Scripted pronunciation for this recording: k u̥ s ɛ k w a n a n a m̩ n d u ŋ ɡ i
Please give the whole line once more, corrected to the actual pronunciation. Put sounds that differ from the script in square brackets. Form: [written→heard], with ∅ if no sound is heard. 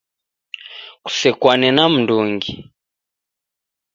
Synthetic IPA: k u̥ s ɛ k w a n [a→ɛ] n a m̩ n d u ŋ ɡ i